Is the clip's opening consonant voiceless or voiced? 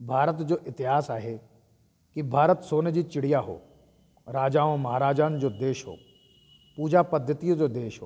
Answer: voiced